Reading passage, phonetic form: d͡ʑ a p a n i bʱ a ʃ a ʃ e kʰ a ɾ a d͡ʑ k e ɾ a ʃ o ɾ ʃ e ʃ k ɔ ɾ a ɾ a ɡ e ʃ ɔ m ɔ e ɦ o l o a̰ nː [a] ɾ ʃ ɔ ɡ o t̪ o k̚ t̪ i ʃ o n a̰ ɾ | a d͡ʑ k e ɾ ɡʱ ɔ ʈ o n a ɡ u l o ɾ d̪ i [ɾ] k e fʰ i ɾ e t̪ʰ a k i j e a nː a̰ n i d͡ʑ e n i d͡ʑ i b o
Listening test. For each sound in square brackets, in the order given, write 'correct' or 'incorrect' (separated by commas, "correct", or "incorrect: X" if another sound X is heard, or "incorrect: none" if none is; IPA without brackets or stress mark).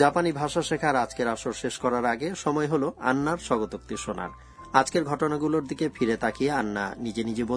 correct, incorrect: none